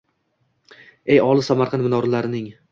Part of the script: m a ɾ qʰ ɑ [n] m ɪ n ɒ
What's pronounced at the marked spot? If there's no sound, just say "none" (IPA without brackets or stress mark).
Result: n